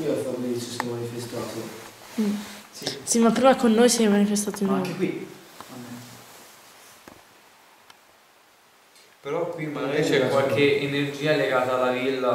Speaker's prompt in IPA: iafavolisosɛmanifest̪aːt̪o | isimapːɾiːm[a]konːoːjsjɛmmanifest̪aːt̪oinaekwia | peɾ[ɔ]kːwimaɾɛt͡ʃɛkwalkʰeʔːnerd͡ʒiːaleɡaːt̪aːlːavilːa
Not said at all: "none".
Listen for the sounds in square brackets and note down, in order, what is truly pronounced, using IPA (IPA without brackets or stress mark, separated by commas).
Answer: a, ɔ